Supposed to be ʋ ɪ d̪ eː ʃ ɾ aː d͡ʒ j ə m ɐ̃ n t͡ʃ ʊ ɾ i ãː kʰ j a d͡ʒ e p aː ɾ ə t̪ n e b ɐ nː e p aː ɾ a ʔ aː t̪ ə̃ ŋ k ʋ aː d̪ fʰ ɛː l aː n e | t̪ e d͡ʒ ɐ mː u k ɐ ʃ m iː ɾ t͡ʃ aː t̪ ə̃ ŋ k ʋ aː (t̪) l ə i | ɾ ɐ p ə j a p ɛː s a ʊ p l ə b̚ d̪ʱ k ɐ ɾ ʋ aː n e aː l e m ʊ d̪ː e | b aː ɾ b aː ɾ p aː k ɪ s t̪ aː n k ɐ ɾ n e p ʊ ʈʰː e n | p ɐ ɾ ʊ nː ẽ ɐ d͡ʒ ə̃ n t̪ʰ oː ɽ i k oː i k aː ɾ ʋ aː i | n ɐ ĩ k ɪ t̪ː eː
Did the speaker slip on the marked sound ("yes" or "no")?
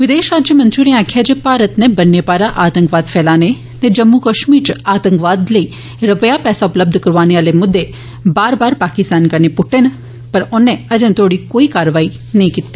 yes